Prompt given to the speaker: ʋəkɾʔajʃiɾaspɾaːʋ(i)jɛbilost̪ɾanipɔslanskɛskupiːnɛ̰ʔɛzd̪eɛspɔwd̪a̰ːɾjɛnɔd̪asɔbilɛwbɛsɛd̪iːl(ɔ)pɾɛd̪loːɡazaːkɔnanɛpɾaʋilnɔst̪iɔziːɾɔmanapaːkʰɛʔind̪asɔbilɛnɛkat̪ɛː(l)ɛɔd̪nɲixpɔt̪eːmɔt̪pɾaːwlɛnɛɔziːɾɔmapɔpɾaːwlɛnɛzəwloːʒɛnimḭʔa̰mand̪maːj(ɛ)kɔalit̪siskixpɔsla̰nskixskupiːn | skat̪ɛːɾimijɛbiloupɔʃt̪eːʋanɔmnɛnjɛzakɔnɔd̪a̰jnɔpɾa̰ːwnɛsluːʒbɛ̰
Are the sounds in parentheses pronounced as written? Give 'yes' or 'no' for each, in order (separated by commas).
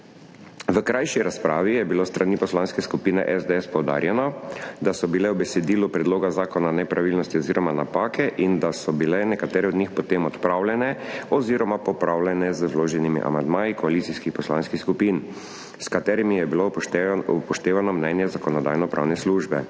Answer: yes, no, no, no